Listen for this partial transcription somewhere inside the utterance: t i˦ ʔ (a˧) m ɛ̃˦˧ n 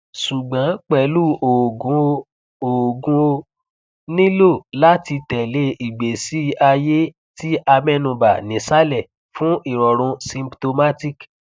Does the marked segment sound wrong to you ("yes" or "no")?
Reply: no